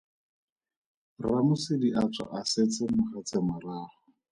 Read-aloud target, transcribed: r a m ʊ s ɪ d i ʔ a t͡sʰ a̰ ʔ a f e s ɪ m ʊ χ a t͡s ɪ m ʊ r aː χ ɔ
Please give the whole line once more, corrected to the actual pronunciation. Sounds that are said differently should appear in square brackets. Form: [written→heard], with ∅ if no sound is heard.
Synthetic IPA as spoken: r a m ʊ s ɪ d i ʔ a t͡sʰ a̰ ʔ a [f→s] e [s→t͡s] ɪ m ʊ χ a t͡s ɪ m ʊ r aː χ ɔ